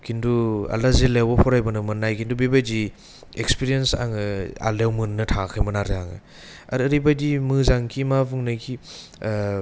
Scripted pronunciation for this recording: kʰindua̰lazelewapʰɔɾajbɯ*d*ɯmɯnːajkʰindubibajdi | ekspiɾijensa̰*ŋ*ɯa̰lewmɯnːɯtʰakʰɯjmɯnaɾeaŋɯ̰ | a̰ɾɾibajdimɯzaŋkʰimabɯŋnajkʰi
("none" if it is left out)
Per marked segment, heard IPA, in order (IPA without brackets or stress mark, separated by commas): n, ŋ